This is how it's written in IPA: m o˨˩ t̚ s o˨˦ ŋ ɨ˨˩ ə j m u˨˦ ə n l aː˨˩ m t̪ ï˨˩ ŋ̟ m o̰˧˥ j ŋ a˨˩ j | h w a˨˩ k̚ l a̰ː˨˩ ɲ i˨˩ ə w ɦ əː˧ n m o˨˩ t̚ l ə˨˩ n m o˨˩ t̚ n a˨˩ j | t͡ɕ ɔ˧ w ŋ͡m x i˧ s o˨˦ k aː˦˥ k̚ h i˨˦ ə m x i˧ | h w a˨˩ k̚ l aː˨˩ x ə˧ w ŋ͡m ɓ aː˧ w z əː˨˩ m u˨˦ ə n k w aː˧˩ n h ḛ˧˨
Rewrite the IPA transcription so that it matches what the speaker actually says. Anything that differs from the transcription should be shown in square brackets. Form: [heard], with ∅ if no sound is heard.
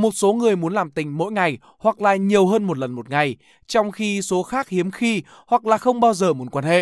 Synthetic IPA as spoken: m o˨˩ t̚ s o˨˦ ŋ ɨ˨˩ ə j m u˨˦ ə n l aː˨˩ m t̪ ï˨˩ ŋ̟ m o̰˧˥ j ŋ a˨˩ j | h w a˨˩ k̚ l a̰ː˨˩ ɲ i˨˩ ə w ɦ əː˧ n m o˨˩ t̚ l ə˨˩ n m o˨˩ t̚ [ŋ] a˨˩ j | t͡ɕ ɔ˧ w ŋ͡m x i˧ s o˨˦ [x] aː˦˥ k̚ h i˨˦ ə m x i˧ | h w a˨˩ k̚ l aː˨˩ x ə˧ w ŋ͡m ɓ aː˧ w z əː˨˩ m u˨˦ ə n k w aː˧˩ n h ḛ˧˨